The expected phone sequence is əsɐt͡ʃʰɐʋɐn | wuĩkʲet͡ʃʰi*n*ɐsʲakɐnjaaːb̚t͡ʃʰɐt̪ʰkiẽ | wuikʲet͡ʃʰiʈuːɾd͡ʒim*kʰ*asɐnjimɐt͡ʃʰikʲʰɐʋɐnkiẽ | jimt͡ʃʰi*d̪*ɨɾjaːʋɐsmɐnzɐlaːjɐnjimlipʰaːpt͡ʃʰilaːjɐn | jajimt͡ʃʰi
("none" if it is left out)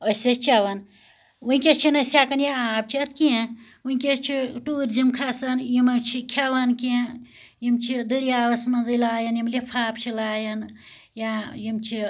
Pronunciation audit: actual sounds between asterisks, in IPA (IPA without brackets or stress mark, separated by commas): n, kʰ, d̪